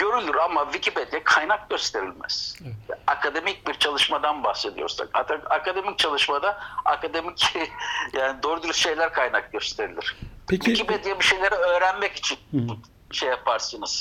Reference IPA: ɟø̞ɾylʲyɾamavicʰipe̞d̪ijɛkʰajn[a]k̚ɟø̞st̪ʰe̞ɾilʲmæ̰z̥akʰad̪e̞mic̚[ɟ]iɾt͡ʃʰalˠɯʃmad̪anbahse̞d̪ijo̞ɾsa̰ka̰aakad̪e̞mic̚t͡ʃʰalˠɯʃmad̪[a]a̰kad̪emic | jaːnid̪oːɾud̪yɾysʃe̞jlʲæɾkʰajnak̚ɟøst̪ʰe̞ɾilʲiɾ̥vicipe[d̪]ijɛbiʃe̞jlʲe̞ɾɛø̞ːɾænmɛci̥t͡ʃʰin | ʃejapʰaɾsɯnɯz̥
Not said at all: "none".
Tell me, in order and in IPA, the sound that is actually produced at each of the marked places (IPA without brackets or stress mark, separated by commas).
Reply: a, b, a, d̪